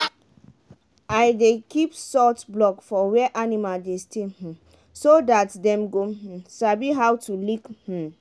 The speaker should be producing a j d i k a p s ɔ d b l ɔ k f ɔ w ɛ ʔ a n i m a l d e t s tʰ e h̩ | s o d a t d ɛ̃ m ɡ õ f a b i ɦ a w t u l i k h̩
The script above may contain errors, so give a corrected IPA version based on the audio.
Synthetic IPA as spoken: a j d e k i p s ɔ t b l ɔ k f ɔ w ɛ ʔ a n i m a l d e s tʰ e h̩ | s o d a t d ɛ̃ m ɡ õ s a b i ɦ a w t u l i k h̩